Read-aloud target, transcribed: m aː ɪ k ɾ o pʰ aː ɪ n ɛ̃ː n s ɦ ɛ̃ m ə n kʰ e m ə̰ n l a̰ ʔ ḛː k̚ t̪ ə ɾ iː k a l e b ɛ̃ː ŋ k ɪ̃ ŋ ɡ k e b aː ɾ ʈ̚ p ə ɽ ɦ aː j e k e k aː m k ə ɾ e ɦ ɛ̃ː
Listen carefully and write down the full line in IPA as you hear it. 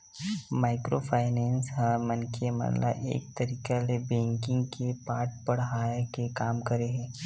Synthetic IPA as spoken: m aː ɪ k ɾ o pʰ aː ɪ n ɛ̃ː n s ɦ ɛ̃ m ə n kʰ e m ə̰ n l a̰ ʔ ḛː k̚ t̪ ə ɾ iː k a l e b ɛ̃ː ŋ k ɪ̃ ŋ ɡ k e p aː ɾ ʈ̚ p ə ɽ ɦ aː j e k e k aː m k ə ɾ e ɦ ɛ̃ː